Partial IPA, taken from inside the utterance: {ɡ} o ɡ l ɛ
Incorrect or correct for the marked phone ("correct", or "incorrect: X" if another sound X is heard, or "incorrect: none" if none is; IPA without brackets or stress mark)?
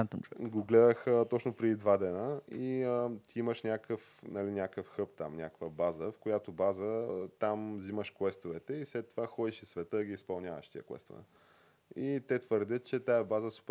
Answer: correct